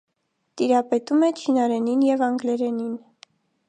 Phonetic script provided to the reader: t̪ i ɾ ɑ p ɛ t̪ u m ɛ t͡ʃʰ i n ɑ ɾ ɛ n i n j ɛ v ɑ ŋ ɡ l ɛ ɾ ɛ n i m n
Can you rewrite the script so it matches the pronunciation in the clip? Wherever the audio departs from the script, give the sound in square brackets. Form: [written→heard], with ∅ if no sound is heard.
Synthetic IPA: t̪ i ɾ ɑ p ɛ t̪ u m ɛ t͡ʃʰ i n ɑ ɾ ɛ n i n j ɛ v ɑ ŋ ɡ l ɛ ɾ ɛ n i [m→∅] n